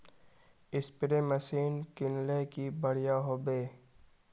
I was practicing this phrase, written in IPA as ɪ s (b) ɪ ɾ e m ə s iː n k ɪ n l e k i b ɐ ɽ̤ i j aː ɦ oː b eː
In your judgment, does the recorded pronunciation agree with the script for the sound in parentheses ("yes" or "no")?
no